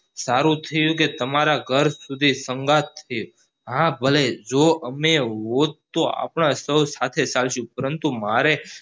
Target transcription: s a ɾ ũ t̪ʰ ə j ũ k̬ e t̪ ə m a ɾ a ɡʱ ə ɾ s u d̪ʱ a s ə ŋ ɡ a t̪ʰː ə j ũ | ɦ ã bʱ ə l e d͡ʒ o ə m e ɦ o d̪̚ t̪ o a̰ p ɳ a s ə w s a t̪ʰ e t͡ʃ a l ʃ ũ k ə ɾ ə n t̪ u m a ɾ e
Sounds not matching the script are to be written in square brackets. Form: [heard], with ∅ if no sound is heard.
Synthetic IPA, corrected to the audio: s a ɾ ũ t̪ʰ ə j ũ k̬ e t̪ ə m a ɾ a ɡʱ ə ɾ s u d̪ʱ [i] s ə ŋ ɡ a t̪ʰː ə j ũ | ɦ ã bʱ ə l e d͡ʒ o ə m e ɦ o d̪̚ t̪ o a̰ p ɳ a s ə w s a t̪ʰ e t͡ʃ a l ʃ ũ [p] ə ɾ ə n t̪ u m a ɾ e